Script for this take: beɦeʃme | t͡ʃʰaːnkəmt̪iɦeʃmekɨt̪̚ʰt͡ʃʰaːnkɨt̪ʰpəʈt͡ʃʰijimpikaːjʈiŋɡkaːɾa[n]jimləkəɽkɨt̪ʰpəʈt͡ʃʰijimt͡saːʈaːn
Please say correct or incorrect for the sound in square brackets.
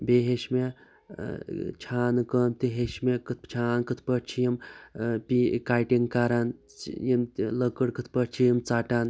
correct